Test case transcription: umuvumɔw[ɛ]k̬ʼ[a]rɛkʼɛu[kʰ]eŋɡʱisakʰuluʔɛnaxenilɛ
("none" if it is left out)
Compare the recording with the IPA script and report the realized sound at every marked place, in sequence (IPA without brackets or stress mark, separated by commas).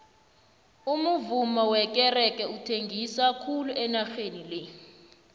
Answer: ɛ, ɛ, tʰ